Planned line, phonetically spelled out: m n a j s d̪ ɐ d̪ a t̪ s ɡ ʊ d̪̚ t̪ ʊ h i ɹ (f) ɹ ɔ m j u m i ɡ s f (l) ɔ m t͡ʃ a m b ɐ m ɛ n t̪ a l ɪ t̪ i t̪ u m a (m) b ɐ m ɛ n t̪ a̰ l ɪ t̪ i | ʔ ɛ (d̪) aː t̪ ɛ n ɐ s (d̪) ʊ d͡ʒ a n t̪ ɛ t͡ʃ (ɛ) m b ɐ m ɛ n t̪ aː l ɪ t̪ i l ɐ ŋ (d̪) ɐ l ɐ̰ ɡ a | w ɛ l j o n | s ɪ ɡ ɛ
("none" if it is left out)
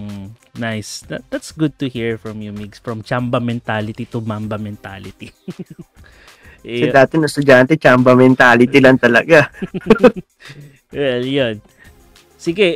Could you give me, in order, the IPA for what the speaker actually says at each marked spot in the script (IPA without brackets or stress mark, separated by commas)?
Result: f, ɹ, m, d̪, t̪, a, t̪